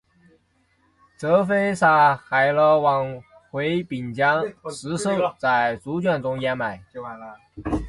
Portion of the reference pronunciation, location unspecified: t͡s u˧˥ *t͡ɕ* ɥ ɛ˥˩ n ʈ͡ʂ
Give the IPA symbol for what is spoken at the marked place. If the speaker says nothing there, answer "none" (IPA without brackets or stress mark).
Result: t͡ɕ